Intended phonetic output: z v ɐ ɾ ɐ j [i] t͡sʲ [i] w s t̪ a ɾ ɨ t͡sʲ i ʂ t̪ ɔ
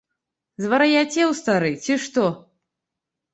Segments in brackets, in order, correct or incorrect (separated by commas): incorrect, incorrect